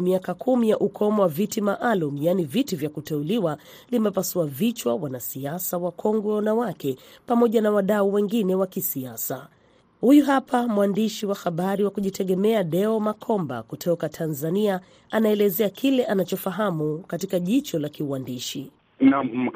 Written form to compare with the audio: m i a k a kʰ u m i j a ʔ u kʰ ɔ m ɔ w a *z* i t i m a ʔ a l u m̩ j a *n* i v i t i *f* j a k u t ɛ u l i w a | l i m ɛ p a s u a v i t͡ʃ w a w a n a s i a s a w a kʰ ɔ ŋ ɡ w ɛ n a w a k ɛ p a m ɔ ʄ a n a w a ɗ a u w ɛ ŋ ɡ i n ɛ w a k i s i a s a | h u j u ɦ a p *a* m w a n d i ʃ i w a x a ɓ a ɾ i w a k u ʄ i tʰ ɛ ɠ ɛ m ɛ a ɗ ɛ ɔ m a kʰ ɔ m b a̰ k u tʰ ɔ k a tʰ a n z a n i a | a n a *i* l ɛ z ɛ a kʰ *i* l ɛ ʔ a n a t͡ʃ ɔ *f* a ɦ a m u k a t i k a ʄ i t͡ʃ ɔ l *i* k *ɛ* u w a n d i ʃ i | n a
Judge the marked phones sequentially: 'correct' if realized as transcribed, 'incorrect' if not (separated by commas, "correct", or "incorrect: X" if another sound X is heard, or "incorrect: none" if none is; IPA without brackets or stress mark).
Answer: incorrect: v, correct, incorrect: v, correct, incorrect: ɛ, correct, correct, incorrect: a, incorrect: i